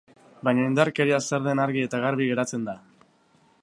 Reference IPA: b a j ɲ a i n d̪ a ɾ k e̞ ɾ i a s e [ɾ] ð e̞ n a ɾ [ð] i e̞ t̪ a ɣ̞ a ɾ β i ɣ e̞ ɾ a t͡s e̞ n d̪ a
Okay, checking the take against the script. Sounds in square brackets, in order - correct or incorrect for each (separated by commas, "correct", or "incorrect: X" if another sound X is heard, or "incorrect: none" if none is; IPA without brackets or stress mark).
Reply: correct, incorrect: ɣ